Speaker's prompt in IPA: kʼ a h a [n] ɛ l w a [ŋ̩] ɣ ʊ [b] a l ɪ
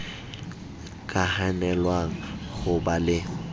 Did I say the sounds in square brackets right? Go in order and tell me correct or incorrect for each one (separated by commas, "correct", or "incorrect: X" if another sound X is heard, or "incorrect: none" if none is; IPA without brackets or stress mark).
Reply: correct, correct, correct